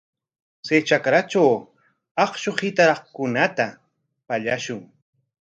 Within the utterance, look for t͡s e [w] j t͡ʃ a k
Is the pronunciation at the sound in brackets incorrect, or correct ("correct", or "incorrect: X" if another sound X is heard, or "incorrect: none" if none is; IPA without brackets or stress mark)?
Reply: incorrect: none